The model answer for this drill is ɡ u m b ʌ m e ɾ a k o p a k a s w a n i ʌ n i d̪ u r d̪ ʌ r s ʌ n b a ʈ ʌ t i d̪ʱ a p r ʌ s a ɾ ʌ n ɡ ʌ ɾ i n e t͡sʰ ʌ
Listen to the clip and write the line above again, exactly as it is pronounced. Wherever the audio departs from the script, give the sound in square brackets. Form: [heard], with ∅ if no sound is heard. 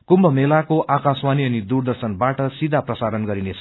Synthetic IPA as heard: [k] u m b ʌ m e [l] a k o [ʔ] a k a s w a n i ʌ n i d̪ u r d̪ ʌ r s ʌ n b a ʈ ʌ [s] i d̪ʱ a p r ʌ s a ɾ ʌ n ɡ ʌ ɾ i n e t͡sʰ ʌ